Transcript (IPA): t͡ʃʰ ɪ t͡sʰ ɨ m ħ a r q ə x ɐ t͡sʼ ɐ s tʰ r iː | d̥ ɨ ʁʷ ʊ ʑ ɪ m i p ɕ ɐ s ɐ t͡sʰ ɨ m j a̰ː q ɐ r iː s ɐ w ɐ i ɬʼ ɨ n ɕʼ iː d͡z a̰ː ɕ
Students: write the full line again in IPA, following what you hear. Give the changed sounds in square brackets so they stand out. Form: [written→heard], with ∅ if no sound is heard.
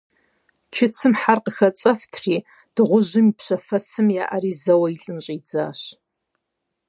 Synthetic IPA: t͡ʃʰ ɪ t͡sʰ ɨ m ħ a r q ə x ɐ t͡sʼ ɐ [s→f] tʰ r iː | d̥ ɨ ʁʷ ʊ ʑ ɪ m i p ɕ ɐ [s→f] ɐ t͡sʰ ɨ m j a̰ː [q→ʔ] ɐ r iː [s→z] ɐ w ɐ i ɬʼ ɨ n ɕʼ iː d͡z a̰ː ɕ